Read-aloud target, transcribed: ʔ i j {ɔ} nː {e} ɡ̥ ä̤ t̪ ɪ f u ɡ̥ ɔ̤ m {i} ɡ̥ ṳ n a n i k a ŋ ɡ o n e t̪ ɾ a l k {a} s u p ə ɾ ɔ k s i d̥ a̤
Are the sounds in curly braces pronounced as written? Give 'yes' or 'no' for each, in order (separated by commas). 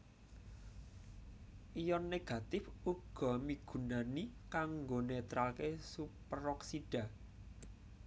yes, yes, yes, no